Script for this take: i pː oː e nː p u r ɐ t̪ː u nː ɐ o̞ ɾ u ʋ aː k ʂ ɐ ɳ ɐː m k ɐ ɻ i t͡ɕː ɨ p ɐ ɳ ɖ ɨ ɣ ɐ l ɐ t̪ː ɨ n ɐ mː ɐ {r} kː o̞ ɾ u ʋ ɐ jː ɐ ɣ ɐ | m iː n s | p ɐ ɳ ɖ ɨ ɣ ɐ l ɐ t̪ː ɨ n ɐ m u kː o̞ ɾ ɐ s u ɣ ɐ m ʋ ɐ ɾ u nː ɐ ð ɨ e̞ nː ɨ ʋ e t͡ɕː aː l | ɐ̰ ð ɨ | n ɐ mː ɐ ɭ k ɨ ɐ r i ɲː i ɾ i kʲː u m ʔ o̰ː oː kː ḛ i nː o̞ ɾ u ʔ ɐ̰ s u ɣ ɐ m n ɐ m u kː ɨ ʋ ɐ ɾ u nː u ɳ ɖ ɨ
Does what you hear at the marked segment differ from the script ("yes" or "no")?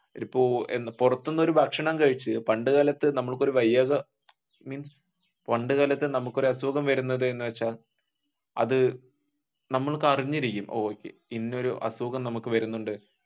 yes